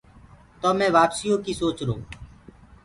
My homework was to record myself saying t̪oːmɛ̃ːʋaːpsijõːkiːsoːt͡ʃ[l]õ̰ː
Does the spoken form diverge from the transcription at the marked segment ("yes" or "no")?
yes